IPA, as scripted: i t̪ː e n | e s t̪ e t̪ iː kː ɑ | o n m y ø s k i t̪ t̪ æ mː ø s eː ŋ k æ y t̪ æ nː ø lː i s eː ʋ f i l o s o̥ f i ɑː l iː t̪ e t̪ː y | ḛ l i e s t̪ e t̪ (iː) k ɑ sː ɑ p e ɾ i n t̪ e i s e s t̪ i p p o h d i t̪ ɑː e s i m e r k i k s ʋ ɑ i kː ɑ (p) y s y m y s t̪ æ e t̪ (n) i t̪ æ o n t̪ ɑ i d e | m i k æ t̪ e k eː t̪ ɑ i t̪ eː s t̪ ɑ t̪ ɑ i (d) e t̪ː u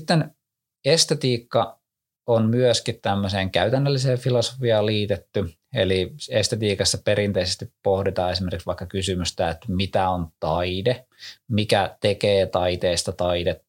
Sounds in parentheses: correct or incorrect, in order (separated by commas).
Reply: correct, incorrect, incorrect, correct